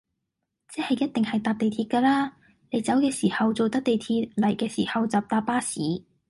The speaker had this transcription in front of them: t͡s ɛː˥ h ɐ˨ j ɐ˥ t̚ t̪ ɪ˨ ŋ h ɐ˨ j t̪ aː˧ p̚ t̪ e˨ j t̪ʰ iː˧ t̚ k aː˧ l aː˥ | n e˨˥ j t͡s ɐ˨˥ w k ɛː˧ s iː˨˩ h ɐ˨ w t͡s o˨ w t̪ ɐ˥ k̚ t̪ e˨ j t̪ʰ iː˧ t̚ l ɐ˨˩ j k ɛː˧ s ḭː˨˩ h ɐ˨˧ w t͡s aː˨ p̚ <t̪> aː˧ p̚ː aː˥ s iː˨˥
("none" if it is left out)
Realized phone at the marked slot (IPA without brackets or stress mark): t̪